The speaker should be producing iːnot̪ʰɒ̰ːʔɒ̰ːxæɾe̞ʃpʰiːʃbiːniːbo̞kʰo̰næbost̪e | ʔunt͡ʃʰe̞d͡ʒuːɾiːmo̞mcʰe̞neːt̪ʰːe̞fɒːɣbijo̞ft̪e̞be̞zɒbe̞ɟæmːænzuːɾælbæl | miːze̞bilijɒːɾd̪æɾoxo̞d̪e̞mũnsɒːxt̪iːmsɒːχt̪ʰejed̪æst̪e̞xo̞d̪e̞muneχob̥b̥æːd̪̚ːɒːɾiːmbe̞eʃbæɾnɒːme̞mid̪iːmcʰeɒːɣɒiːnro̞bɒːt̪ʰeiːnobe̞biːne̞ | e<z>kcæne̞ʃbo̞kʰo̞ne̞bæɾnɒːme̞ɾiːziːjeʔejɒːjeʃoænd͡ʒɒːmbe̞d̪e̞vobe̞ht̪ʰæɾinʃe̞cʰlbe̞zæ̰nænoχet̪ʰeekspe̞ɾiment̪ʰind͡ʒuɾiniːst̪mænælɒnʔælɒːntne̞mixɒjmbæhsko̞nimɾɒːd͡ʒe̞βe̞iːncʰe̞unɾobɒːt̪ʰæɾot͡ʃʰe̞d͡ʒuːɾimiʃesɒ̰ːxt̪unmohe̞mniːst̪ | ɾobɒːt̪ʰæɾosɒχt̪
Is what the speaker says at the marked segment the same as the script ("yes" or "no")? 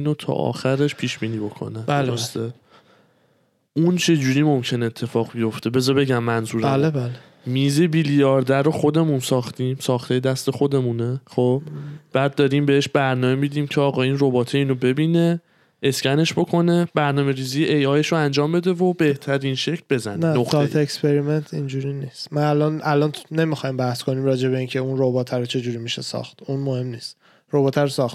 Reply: no